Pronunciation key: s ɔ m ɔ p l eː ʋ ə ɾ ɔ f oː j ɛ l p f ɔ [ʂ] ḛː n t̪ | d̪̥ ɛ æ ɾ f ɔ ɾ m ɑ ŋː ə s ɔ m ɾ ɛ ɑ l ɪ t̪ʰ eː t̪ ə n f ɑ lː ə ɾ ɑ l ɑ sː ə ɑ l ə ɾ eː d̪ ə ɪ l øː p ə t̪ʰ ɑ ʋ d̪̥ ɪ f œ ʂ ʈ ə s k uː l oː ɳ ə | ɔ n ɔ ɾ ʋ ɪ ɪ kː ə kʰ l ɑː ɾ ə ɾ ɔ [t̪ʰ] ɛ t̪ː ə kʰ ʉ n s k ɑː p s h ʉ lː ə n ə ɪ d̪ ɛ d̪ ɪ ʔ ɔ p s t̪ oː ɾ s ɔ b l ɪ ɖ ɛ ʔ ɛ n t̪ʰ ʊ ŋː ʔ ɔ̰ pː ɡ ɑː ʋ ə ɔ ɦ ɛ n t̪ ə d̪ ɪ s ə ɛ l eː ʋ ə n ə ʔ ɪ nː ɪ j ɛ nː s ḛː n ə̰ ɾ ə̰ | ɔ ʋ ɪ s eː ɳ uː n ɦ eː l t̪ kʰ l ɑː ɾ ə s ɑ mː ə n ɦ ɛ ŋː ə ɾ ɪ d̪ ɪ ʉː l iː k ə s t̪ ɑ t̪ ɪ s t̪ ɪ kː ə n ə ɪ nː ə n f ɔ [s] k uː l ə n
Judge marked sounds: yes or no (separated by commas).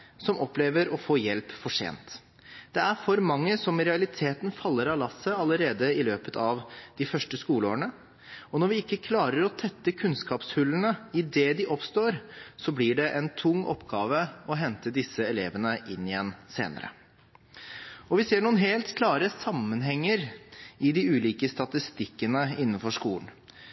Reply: yes, yes, no